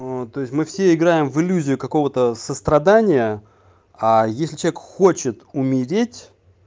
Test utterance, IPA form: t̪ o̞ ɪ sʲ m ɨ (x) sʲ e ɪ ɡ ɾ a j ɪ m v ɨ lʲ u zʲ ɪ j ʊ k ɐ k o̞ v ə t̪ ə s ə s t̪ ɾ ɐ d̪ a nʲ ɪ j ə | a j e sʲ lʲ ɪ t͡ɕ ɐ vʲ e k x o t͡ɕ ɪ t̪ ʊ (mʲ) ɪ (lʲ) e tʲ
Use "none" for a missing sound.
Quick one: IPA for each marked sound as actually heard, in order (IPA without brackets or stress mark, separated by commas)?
f, mʲ, ɾʲ